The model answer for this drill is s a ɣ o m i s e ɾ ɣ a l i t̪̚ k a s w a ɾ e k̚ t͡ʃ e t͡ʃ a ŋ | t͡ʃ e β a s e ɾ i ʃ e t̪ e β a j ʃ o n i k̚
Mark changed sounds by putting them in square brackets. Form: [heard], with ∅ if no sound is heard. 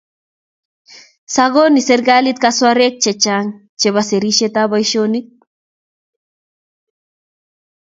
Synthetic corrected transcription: s a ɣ o [n] i s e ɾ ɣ a l i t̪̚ k a s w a ɾ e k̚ t͡ʃ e t͡ʃ a ŋ | t͡ʃ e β a s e ɾ i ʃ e t̪ [a] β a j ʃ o n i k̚